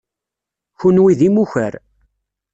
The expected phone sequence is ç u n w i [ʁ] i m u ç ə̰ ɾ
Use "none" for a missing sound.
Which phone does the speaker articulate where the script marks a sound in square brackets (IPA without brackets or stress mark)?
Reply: ð